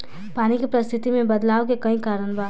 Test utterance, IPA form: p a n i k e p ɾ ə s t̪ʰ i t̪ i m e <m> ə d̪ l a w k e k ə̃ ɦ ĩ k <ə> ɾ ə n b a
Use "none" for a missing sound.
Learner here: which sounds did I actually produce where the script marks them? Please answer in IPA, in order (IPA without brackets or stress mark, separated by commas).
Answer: b, a